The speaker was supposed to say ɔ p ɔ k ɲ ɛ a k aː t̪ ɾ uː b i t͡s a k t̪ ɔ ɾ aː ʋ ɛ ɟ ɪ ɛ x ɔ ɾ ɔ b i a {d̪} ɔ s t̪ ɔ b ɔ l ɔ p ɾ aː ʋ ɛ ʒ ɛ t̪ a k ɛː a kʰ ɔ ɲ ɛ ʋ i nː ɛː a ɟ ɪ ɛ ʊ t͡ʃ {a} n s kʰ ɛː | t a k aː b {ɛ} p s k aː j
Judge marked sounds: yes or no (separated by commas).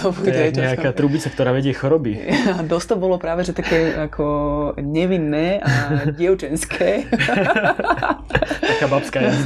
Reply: yes, no, no